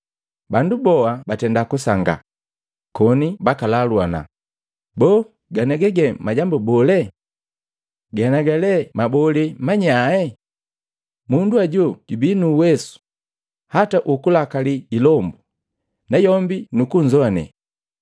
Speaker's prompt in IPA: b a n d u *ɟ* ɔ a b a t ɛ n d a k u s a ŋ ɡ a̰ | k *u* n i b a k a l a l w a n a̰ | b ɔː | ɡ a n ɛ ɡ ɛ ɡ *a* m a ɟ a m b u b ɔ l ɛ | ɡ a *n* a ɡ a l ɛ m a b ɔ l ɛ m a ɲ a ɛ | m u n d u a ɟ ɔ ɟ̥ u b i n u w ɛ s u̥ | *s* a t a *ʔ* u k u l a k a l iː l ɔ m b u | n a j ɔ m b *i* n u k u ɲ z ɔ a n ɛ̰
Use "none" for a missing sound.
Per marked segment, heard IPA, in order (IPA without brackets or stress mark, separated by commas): b, ɔ, ɛ, n, h, ʔ, i